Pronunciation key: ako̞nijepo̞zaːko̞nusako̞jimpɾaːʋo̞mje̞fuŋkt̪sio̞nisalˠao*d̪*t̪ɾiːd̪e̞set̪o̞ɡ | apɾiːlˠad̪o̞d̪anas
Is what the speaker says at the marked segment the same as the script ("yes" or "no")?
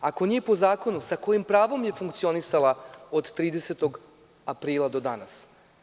yes